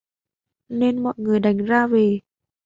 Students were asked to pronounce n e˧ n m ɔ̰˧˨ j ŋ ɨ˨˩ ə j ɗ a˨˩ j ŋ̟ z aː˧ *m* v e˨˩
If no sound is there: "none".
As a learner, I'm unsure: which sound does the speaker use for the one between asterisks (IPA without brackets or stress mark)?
none